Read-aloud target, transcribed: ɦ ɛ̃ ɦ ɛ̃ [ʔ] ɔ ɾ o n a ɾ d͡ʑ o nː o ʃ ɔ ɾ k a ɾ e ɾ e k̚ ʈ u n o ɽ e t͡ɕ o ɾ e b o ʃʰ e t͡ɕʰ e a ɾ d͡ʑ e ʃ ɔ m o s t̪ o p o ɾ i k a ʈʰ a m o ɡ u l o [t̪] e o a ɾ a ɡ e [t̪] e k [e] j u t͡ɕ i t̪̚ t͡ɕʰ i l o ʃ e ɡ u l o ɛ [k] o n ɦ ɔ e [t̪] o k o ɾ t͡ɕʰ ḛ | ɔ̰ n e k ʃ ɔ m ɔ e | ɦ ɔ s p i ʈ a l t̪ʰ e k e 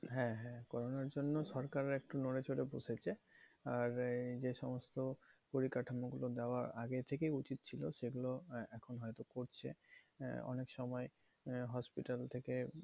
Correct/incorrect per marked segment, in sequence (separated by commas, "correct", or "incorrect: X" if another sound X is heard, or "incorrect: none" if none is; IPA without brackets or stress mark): incorrect: k, incorrect: d̪, incorrect: t̪ʰ, correct, incorrect: kʰ, correct